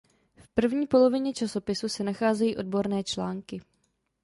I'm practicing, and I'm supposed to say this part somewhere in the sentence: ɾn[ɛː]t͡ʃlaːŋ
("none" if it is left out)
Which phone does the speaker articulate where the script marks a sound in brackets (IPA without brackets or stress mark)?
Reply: ɛː